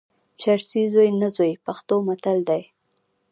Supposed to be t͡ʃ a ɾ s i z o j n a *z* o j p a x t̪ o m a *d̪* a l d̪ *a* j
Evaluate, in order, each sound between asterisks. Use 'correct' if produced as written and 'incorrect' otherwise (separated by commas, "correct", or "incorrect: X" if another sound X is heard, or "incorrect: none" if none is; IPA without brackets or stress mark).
correct, incorrect: t̪, correct